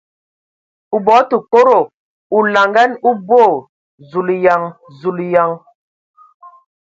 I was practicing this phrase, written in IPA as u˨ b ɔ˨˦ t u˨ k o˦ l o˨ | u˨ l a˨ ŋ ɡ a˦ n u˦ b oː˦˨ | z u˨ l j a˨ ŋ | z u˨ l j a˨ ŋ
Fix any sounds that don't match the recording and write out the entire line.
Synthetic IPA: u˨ b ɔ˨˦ t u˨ k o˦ ɾ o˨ | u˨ l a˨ ŋ ɡ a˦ n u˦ b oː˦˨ | z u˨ l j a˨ ŋ | z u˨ l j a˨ ŋ

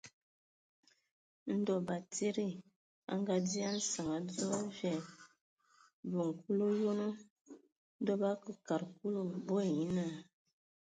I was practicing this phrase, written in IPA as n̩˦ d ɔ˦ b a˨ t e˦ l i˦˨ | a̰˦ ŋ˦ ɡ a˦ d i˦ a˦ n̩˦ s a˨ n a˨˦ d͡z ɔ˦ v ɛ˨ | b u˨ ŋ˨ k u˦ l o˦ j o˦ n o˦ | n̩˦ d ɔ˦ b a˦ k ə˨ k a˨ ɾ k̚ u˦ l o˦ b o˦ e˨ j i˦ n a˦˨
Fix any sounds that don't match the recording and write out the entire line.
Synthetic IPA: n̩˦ d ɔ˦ b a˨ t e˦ ɾ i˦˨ | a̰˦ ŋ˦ ɡ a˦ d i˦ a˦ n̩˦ s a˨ ŋ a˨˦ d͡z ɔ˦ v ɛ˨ | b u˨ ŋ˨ k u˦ l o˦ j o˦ n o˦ | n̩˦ d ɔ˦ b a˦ k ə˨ k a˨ ɾ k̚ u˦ l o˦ b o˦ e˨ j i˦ n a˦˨

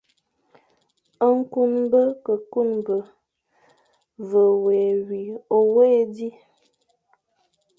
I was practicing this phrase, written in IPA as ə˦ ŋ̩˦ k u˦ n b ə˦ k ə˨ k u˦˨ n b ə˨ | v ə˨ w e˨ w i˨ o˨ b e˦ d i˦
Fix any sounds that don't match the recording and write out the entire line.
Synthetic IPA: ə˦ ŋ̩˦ k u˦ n b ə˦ k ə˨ k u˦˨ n b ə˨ | v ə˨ w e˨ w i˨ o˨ w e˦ d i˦

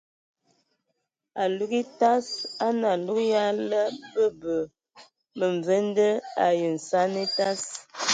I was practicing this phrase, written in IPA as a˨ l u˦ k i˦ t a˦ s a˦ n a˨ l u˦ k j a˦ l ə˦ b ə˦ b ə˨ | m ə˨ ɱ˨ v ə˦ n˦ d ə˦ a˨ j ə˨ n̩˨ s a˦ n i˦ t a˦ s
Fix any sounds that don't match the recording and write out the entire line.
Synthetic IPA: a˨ l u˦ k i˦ t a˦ s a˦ n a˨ l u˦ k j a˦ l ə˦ b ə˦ b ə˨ | m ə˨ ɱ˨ v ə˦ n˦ d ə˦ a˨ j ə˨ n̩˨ s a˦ n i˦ t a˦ s

